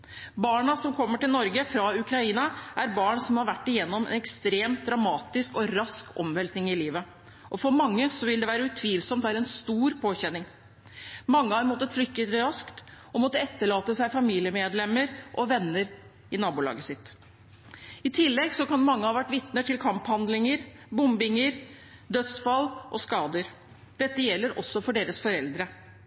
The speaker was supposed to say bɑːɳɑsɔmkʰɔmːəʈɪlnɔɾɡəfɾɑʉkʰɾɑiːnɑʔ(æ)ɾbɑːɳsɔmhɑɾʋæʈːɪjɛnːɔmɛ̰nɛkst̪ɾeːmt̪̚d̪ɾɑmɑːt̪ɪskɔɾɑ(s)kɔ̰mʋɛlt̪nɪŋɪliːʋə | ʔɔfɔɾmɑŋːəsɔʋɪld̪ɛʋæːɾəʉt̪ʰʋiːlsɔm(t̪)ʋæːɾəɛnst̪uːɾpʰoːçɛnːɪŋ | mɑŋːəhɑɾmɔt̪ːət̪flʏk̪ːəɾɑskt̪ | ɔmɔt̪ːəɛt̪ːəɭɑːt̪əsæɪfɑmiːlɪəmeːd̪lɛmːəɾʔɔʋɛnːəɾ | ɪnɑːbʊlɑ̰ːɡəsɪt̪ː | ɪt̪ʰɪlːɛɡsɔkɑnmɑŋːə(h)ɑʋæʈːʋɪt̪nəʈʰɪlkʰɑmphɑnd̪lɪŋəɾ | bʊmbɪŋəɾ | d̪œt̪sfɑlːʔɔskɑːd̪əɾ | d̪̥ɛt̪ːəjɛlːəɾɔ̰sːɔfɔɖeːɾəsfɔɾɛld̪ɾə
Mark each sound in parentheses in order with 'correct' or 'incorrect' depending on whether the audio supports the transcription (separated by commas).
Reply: correct, correct, correct, correct